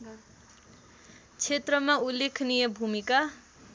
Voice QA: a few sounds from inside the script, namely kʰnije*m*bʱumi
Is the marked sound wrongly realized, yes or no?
yes